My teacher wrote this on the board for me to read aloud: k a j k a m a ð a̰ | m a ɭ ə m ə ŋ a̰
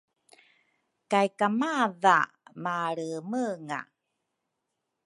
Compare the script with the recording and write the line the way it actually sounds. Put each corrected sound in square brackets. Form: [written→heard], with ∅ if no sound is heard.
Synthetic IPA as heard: k a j k a m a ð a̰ | m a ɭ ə m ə ŋ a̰